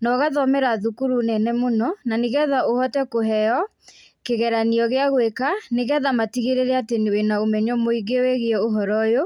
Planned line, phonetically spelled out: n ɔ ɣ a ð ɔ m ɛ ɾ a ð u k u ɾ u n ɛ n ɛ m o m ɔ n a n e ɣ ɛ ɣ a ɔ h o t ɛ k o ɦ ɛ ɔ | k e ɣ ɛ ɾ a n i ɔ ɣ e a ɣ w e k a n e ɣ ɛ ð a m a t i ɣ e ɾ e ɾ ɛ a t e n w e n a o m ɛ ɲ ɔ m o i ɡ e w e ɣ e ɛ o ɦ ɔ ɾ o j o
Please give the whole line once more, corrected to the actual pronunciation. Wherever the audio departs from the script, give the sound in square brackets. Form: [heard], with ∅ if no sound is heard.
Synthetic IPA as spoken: n ɔ ɣ a ð ɔ m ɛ ɾ a ð u k u ɾ u n ɛ n ɛ m o [n] ɔ n a n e ɣ ɛ [ð] a [o] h [ɔ] t ɛ k o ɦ ɛ ɔ | k e ɣ ɛ ɾ a n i ɔ ɣ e a ɣ w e k a n e ɣ ɛ ð a m a t i ɣ e ɾ e ɾ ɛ a t e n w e n a o m ɛ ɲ ɔ m o i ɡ e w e ɣ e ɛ o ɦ ɔ ɾ [ɔ] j o

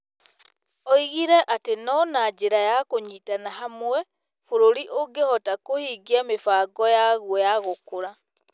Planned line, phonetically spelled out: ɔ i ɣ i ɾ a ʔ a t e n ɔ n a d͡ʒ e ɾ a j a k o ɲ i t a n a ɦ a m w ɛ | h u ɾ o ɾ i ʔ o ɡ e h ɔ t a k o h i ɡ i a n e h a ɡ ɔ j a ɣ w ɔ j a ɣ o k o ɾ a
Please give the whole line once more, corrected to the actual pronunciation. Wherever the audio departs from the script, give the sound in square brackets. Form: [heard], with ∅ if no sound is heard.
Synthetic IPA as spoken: ɔ i ɣ i ɾ [ɛ] ʔ a t e n ɔ n a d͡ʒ e ɾ a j a k o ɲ i t a n a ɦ a m w ɛ | [f] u ɾ o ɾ i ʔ o ɡ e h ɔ t a k o h i ɡ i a [m] e [f] a ɡ ɔ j a ɣ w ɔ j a ɣ o k o ɾ a

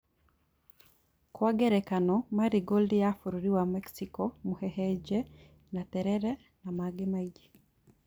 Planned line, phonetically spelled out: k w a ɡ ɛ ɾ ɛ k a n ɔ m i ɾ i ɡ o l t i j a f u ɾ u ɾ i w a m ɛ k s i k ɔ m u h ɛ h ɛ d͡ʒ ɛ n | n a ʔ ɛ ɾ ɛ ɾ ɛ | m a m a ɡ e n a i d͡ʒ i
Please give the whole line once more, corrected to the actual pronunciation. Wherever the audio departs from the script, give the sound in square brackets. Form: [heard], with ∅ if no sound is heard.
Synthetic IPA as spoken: k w a ɡ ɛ ɾ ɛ k a n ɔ m [a] ɾ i ɡ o l [d] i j a f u ɾ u ɾ i w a m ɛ k s i k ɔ m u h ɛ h ɛ d͡ʒ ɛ [∅] | n a [t] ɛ ɾ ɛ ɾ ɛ | [n] a m a ɡ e [m] a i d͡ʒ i

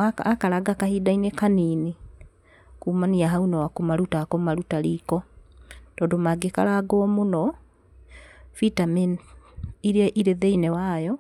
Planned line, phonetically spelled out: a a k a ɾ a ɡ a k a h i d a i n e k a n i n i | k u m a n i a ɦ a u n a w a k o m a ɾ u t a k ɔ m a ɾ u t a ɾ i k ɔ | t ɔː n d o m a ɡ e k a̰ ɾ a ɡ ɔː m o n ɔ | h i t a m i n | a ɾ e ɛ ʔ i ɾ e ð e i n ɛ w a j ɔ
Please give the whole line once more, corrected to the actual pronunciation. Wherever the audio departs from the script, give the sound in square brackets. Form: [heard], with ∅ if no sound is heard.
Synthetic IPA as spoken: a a k a ɾ a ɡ a k a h i d a i n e k a n i n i | k u m a n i a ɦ a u n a w a k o m a ɾ u t a k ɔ m a ɾ u t a ɾ i k ɔ | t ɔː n d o m a ɡ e k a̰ ɾ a ɡ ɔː m o n ɔ | [f] i t a m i n | [i] ɾ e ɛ ʔ i ɾ e ð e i n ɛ w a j ɔ

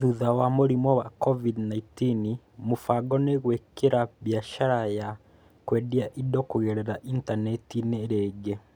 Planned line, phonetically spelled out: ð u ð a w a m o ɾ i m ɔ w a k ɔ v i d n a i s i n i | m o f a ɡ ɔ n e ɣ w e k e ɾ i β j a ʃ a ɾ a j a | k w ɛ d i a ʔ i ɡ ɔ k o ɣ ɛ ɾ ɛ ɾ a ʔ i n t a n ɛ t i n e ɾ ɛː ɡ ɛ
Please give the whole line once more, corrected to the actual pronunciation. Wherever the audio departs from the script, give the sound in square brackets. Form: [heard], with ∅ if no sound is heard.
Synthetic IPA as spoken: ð u ð a w a m o ɾ i m ɔ w a k ɔ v i d n a i [t] i n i | m o f a ɡ ɔ n e ɣ w e k e ɾ [a] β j a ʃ a ɾ a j a | k w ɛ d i a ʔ i [d] ɔ k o ɣ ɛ ɾ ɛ ɾ a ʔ i n t a n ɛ t i n e ɾ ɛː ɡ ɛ

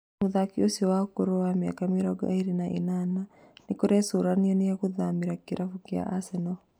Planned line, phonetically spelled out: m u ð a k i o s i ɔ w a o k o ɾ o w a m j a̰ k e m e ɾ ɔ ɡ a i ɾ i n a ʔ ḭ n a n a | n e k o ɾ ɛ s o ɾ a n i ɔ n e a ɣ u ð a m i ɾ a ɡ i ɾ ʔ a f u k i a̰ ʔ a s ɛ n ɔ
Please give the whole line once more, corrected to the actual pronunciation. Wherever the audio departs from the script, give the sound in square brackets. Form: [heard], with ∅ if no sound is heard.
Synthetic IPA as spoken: m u ð a k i o s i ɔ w a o k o ɾ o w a m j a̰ k [a] m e ɾ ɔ ɡ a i ɾ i n a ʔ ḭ n a n a | n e k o ɾ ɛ s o ɾ a n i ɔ n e a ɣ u ð a m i ɾ a [k] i ɾ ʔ a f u k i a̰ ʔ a s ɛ n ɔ

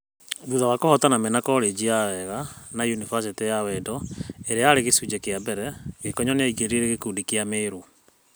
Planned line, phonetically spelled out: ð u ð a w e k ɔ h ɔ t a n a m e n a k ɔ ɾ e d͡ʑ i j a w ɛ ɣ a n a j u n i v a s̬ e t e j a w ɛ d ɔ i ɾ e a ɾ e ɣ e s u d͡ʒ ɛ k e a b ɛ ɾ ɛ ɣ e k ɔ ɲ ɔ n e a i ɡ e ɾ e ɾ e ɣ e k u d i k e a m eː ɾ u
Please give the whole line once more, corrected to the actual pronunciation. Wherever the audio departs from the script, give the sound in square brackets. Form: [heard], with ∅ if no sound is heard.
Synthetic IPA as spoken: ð u ð a w [a] k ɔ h ɔ t a n a m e n a k ɔ ɾ e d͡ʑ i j a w ɛ ɣ a n a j u n i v a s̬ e t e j a w ɛ d ɔ [e] ɾ e a ɾ e ɣ e s u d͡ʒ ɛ k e a b ɛ ɾ ɛ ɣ e k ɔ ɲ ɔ n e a i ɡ e ɾ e ɾ e ɣ e k u d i k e a m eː ɾ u

